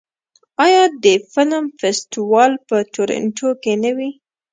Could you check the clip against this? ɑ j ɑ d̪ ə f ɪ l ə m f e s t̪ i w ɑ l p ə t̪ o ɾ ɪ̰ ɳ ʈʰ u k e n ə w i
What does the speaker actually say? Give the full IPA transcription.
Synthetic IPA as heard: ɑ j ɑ d̪ ə f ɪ l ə m f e s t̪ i w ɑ l p ə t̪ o ɾ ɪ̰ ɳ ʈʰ o k e n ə w i